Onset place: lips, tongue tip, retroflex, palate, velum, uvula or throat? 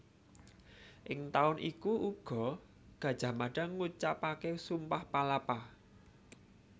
throat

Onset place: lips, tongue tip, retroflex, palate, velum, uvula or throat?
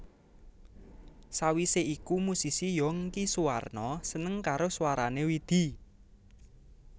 tongue tip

